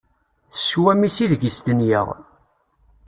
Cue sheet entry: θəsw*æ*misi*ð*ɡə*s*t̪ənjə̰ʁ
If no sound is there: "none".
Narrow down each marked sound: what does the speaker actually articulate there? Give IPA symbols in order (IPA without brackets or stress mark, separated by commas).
æ, ð, s